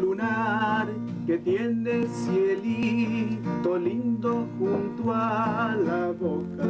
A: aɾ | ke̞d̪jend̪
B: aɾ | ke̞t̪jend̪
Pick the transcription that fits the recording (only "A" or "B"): B